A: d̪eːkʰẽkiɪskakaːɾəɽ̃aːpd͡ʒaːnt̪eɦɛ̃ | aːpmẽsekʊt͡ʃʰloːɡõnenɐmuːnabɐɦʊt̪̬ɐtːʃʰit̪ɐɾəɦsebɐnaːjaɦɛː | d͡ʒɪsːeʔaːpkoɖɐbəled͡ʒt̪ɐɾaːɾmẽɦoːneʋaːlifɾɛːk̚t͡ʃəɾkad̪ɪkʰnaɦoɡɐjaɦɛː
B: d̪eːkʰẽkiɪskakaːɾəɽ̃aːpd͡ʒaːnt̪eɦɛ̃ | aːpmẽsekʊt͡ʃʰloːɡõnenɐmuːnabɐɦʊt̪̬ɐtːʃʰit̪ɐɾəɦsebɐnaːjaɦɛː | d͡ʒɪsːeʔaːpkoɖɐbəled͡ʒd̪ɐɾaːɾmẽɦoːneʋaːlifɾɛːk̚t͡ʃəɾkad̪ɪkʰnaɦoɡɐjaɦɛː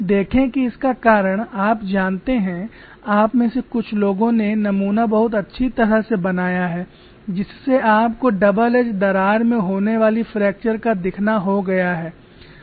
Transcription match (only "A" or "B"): B